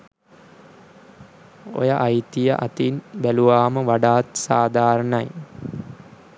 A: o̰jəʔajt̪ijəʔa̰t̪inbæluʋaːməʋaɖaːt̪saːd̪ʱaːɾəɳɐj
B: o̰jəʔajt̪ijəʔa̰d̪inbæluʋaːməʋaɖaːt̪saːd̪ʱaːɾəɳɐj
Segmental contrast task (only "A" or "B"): A